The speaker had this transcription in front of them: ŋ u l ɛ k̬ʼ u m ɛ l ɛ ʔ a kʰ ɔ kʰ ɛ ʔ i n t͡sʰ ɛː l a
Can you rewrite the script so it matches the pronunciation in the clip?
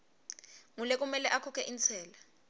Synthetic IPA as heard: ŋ u l ɛ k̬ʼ u m ɛ l ɛ ʔ a kʰ ɔ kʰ ɛ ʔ i n t͡sʰ ɛː l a